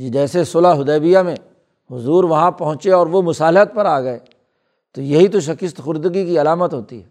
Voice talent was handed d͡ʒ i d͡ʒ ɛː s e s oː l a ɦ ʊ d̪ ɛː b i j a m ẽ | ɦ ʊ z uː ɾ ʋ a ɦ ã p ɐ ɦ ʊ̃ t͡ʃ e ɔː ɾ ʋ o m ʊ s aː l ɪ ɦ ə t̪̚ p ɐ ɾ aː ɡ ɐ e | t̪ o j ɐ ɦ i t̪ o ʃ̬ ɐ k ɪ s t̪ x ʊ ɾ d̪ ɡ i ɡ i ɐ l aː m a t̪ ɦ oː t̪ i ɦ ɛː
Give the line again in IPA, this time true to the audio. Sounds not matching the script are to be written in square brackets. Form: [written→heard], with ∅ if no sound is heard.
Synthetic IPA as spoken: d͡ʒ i d͡ʒ ɛː s e s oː l a ɦ ʊ d̪ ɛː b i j a m ẽ | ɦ ʊ z uː ɾ ʋ [a→ɐ] ɦ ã p ɐ ɦ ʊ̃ t͡ʃ e ɔː ɾ ʋ o m ʊ s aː l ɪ ɦ ə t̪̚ p ɐ ɾ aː ɡ ɐ e | t̪ o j ɐ ɦ i t̪ o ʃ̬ ɐ k ɪ s t̪ x ʊ ɾ d̪ ɡ i [ɡ→k] i ɐ l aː m [a→ə] t̪ ɦ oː t̪ i ɦ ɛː